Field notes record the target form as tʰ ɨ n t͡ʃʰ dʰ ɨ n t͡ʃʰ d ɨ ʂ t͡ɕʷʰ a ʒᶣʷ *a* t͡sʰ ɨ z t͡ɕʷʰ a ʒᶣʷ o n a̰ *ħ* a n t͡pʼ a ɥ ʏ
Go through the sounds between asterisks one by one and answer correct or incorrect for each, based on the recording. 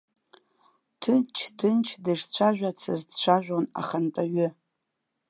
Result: correct, incorrect: χ

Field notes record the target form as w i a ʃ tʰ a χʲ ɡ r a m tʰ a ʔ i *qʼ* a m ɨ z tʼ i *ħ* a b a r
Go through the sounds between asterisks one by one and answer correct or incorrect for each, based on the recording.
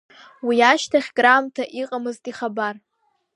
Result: correct, incorrect: χ

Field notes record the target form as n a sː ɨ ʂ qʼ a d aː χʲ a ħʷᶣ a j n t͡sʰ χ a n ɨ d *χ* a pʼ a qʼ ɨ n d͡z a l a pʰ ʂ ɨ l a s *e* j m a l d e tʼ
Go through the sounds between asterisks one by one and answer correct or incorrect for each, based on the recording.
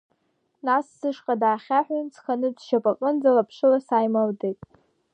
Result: incorrect: ʃ, incorrect: a

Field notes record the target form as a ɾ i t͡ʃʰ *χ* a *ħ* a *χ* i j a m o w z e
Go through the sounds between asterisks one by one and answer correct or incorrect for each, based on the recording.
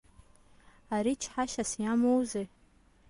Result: incorrect: ħ, incorrect: ʃ, incorrect: s

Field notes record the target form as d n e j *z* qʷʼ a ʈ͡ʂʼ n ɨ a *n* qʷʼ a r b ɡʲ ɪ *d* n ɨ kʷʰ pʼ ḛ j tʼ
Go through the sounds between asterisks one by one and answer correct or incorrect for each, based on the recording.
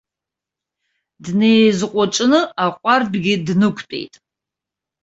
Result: correct, incorrect: none, correct

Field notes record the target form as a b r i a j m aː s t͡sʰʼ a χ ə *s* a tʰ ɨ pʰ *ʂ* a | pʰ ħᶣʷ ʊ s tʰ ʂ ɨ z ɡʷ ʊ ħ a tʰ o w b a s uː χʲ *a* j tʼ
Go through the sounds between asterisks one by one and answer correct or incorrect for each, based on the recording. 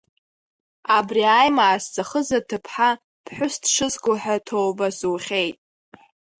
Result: incorrect: z, incorrect: ħ, incorrect: e

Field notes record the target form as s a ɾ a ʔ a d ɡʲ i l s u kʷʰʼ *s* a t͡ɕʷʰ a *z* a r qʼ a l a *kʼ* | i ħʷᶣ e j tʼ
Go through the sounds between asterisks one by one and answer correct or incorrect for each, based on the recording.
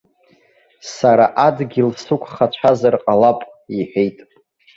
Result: incorrect: χ, correct, incorrect: pʼ

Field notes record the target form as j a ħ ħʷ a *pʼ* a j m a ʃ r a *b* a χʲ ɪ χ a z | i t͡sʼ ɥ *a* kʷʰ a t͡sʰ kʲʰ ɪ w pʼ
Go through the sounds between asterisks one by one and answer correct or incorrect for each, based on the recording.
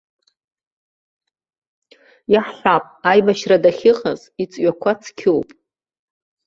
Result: correct, incorrect: d, correct

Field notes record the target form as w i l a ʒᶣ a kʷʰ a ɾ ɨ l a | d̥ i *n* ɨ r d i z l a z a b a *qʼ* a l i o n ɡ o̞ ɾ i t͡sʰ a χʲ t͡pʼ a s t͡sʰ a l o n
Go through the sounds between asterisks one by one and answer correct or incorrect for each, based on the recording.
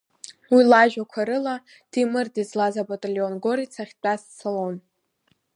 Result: incorrect: m, incorrect: tʼ

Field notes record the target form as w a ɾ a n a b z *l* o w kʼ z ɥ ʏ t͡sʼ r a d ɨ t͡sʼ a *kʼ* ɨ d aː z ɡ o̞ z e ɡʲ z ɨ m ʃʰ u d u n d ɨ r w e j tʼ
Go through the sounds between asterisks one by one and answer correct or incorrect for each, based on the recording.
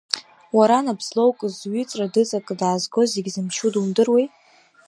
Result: correct, correct

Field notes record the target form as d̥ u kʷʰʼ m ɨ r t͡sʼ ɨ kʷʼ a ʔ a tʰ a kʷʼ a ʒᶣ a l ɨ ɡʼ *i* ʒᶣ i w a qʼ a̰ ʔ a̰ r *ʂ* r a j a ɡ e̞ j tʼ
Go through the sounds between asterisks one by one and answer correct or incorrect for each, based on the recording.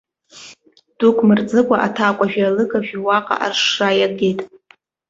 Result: incorrect: a, correct

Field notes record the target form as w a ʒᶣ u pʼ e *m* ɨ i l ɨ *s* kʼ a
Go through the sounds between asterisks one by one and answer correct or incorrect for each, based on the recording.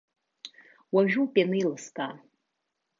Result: incorrect: n, correct

